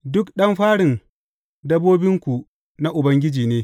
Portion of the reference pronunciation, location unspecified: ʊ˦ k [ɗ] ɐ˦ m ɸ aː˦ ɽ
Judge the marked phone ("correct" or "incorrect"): correct